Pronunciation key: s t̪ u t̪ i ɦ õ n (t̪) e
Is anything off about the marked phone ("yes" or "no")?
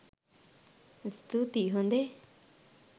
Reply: yes